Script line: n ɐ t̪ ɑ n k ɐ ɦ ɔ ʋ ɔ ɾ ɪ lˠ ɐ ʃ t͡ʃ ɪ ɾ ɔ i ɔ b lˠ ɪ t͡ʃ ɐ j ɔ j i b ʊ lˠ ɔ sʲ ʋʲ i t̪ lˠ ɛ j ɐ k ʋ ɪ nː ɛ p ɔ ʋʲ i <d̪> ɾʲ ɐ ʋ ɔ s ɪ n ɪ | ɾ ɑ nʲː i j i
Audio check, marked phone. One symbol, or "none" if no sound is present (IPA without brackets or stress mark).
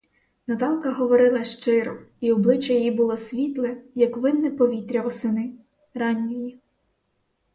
t̪